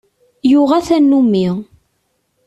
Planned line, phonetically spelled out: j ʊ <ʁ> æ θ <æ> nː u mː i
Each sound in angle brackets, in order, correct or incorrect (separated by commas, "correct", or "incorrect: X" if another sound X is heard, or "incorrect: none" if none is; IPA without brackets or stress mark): correct, correct